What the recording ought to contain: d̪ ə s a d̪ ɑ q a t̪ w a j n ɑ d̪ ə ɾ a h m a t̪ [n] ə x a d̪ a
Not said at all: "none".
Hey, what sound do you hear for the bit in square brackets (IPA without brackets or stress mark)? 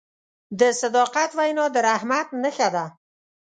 n